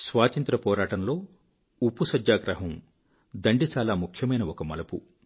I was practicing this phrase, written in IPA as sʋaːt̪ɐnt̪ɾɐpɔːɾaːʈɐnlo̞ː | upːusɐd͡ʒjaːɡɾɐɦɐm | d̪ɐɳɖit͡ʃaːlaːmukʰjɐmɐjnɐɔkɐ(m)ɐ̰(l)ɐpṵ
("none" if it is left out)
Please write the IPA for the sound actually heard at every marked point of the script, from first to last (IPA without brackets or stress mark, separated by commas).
m, l